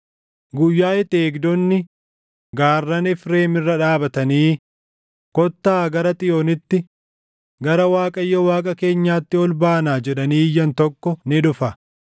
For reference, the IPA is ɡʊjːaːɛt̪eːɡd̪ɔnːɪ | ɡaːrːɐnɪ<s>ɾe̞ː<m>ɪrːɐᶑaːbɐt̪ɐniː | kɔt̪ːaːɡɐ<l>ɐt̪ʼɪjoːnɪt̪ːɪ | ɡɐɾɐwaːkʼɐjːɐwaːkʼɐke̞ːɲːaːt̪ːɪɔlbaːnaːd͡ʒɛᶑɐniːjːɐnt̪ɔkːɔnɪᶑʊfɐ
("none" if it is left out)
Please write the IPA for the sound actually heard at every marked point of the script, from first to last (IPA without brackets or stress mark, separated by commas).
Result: f, m, ɾ